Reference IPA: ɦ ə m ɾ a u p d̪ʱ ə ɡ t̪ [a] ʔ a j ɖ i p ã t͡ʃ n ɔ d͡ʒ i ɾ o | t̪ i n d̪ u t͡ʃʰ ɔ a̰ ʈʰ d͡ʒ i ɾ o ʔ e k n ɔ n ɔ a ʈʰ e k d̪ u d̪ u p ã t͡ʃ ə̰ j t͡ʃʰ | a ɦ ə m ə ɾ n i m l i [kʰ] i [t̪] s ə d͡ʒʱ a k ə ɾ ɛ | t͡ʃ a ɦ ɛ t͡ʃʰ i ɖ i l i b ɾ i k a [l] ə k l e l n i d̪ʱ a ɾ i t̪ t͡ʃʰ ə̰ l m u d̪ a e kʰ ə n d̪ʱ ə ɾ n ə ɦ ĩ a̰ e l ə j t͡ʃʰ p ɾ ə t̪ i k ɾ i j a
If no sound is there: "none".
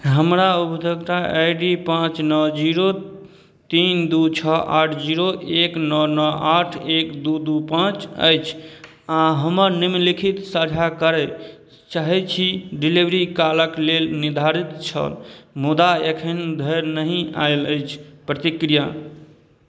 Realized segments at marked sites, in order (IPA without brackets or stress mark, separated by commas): a, kʰ, t̪, l